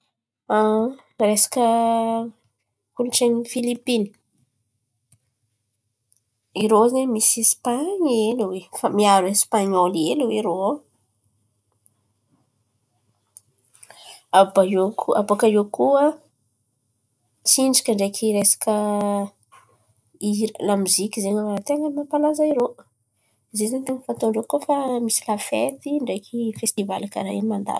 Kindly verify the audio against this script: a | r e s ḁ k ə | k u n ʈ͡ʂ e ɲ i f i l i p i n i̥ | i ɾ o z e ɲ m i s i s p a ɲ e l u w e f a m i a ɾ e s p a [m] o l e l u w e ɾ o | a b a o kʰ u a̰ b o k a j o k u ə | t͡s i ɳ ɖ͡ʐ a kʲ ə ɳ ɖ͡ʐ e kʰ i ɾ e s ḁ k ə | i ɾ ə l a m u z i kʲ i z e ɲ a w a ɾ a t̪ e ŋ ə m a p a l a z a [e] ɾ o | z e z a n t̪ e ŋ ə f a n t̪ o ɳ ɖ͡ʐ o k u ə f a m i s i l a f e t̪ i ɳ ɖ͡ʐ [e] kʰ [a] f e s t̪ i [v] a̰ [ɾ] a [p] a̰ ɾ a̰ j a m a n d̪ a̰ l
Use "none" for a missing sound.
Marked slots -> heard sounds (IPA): ɲ, i, e, i, v, l, k

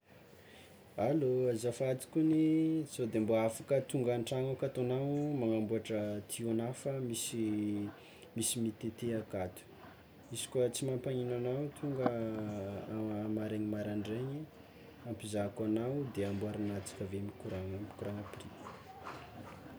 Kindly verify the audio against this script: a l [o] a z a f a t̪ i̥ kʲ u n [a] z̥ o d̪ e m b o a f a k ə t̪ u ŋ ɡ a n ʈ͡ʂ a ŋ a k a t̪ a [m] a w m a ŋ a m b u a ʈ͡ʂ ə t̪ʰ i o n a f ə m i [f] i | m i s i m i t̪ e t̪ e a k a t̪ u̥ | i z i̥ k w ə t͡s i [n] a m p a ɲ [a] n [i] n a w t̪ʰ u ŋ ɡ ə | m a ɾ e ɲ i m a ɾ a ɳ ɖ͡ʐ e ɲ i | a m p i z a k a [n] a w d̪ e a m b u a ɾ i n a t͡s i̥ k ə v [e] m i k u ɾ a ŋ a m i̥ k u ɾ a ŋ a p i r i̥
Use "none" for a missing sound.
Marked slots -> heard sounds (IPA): o, i, n, s, m, i, a, n, e

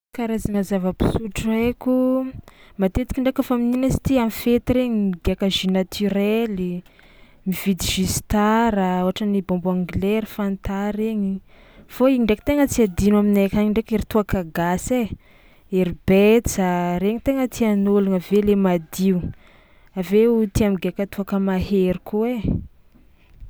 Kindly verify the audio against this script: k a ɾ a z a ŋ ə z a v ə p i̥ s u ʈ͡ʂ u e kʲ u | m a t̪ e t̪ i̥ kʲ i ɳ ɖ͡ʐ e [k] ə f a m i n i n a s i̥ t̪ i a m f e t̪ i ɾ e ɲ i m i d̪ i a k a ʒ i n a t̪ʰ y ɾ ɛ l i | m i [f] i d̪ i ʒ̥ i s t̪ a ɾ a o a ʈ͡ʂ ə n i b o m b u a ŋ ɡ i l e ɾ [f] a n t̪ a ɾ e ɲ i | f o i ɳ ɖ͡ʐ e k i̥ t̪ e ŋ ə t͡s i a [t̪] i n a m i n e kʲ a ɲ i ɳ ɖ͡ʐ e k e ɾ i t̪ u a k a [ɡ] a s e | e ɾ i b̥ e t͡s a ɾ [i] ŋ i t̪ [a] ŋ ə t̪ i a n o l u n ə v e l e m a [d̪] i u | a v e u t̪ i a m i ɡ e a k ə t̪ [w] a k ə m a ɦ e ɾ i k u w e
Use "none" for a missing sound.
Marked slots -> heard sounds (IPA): k, v, f, d̪, ɡ, e, e, d̪, u

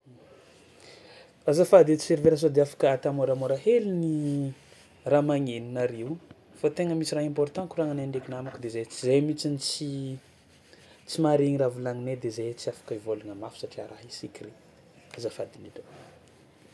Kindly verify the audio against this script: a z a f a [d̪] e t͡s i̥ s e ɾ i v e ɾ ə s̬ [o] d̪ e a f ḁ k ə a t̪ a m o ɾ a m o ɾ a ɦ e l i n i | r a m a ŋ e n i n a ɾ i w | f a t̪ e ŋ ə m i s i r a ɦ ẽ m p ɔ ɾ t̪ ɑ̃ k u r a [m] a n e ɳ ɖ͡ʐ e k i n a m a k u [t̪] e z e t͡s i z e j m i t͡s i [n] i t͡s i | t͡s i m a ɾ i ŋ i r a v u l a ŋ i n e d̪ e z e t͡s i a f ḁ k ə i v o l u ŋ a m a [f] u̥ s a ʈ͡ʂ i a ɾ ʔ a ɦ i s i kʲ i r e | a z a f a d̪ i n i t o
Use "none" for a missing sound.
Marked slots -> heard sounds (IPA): d̪, o, ŋ, d̪, n, f

